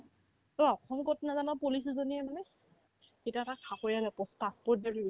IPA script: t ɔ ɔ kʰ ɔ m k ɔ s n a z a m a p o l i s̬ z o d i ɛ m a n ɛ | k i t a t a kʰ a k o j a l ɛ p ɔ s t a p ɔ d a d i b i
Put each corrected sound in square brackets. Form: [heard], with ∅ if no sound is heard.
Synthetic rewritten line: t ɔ ɔ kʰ ɔ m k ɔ [t] n a z a [n] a p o l i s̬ z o [n] i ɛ m a n ɛ | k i t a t a kʰ a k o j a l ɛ p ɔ s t a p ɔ d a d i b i